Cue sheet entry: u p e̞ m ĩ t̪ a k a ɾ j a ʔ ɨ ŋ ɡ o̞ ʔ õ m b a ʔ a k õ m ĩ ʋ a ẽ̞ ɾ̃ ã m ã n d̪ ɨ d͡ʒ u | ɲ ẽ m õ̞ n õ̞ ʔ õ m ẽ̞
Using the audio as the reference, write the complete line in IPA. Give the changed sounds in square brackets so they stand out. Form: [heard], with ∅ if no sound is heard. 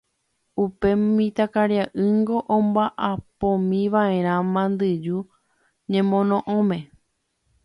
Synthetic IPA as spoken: u p e̞ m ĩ t̪ a k a ɾ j a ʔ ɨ ŋ ɡ o̞ ʔ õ m b a ʔ a [p] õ m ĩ ʋ a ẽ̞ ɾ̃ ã m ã n d̪ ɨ d͡ʒ u | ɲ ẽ m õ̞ n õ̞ ʔ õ m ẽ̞